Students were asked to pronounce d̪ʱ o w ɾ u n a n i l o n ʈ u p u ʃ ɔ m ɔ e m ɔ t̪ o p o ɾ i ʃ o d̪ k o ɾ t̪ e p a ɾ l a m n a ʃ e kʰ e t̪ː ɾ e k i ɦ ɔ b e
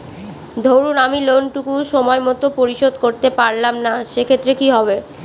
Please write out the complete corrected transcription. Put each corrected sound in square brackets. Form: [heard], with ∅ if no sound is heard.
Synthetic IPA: d̪ʱ o w ɾ u n a [m] i l o n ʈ u [k] u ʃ ɔ m ɔ e m ɔ t̪ o p o ɾ i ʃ o d̪ k o ɾ t̪ e p a ɾ l a m n a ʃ e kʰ e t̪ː ɾ e k i ɦ ɔ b e